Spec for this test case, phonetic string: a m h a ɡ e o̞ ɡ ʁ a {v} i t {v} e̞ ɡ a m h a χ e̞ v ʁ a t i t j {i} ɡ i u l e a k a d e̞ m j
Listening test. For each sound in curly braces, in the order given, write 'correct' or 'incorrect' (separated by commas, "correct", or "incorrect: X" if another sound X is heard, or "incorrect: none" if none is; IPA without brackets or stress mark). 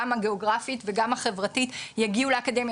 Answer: incorrect: f, correct, incorrect: a